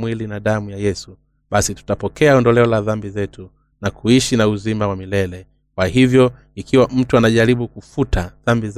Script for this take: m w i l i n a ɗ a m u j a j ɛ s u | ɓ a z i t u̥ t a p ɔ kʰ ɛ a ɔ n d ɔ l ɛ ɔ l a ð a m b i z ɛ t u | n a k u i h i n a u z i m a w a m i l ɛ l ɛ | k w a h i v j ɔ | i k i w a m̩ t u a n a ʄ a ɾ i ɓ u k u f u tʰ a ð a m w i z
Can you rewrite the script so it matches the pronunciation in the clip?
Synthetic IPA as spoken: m w i l i n a ɗ a m u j a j ɛ s u | ɓ a s i t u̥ t a p ɔ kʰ ɛ a ɔ n d ɔ l ɛ ɔ l a ð a m b i z ɛ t u | n a k u i ʃ i n a u z i m a w a m i l ɛ l ɛ | k w a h i v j ɔ | i k i w a m̩ t u a n a ʄ a ɾ i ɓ u k u f u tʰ a ð a m b i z